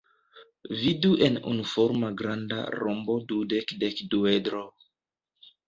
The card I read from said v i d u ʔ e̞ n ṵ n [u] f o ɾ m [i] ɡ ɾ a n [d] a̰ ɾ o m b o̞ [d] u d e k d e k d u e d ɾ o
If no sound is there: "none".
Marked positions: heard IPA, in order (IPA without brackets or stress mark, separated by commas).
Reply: u, a, d, d